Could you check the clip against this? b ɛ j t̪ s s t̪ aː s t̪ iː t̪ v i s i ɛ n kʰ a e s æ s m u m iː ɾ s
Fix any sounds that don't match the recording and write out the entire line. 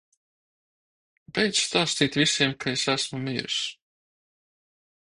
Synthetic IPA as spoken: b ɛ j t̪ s s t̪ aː s t̪ iː t̪ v i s i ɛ m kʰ a e s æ s m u m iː ɾ s